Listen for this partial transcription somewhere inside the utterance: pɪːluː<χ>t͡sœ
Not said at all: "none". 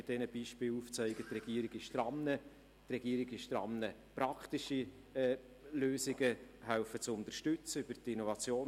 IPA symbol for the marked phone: f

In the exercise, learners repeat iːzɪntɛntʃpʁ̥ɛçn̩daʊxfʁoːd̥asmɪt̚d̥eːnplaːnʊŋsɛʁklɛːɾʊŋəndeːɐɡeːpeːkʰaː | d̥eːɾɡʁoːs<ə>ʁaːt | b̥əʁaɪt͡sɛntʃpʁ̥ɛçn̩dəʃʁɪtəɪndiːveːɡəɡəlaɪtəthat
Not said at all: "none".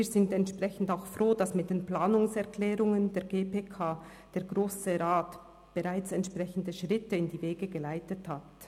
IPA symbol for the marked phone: ə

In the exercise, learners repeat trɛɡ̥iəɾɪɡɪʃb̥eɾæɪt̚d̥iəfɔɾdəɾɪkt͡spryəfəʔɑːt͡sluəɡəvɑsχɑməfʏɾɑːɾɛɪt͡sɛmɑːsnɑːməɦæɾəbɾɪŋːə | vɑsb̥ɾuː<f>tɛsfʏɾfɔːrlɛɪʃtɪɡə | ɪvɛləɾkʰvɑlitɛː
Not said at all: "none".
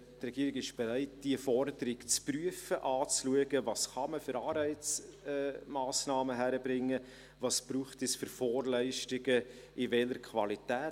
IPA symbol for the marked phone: χ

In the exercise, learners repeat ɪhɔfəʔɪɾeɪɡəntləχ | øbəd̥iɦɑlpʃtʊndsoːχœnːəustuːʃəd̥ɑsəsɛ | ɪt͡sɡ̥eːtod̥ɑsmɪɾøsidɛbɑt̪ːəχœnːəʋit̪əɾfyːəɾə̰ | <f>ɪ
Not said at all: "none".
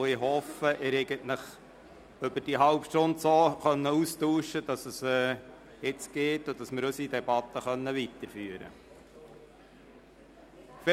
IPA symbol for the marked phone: f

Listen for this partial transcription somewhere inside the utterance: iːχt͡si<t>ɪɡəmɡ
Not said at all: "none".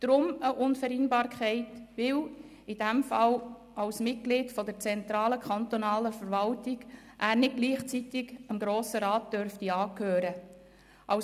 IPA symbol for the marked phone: t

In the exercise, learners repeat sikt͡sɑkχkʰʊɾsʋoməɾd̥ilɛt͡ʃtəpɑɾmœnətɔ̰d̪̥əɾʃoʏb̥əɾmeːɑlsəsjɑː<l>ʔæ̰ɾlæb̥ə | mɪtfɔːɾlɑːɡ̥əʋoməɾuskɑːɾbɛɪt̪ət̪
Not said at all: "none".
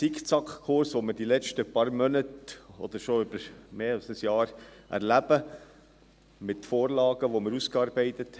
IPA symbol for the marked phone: ɾ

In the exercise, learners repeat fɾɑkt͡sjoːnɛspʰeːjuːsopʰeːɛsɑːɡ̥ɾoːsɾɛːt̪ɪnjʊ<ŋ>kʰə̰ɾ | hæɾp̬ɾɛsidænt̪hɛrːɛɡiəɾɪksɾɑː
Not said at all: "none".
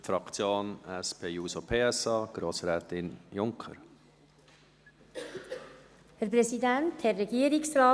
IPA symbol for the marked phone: ŋ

